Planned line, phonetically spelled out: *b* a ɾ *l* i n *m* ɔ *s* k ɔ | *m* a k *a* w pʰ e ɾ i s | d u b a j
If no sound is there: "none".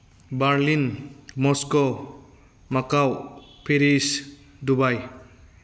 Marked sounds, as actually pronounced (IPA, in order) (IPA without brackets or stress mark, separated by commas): b, l, m, s, m, a